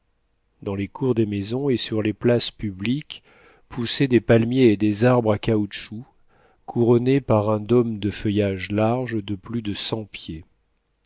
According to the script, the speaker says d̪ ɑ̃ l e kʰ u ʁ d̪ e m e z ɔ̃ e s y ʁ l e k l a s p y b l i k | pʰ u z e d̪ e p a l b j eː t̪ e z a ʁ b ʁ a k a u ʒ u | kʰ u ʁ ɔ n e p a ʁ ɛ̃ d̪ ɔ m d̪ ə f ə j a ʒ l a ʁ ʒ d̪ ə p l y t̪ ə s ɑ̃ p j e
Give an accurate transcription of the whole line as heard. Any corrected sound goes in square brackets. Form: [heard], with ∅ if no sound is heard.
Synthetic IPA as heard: d̪ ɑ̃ l e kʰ u ʁ d̪ e m e z ɔ̃ e s y ʁ l e [p] l a s p y b l i k | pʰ u [s] e d̪ e p a l [m] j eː [d̪] e z a ʁ b ʁ a k a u [ʃ] u | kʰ u ʁ ɔ n e p a ʁ ɛ̃ d̪ ɔ m d̪ ə f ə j a ʒ l a ʁ ʒ d̪ ə p l y [d̪] ə s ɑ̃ p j e